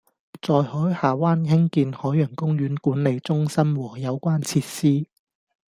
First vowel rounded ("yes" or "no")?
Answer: yes